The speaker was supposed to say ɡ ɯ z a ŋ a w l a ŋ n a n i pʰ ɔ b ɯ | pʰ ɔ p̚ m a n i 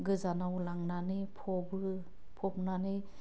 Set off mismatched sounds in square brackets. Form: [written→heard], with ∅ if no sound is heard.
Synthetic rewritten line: ɡ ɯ z a [ŋ→n] a w l a ŋ n a n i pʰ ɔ b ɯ | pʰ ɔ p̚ [m→n] a n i